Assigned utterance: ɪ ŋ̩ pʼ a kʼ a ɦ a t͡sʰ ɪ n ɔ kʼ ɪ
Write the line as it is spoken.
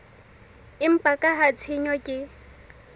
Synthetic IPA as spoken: ɪ m̩ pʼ a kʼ a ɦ a t͡sʰ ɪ ɲ ɔ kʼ ɪ

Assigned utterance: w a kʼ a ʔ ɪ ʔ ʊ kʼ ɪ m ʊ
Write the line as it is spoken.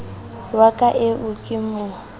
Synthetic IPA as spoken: w a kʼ a ʔ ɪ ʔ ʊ kʼ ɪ m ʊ

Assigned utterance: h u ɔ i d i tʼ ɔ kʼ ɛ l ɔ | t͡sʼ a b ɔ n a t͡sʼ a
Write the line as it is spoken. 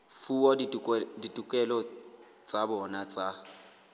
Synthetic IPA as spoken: f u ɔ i d i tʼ u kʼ ɛ l ɔ | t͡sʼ a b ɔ n a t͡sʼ a

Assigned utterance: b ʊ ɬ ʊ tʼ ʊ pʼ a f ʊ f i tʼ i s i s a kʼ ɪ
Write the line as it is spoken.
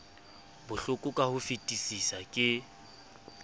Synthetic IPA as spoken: b ʊ ɬ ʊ kʼ ʊ kʼ a h ʊ f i tʼ i s i s a kʼ ɪ

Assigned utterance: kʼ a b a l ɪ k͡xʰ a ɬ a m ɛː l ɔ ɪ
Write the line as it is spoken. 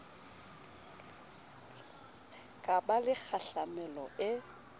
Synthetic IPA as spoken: kʼ a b a l ɪ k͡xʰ a ɬ a m ɛ l ɔ ɪ

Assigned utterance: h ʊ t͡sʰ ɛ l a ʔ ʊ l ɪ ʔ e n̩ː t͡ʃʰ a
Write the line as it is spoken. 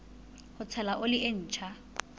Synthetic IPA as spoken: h ʊ t͡sʰ ɛ l a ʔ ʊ l ɪ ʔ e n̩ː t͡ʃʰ a

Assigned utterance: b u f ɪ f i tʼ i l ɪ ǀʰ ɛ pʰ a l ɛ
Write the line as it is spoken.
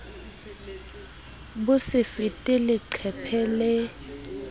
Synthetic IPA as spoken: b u s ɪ f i tʼ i l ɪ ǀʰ ɛ pʰ ɛ l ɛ

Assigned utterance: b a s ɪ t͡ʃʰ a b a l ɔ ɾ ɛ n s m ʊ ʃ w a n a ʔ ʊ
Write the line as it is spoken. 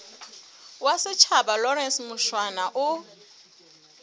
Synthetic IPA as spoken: w a s ɪ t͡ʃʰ a b a l ɔ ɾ ɛ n s m ʊ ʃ w a n a ʔ ʊ

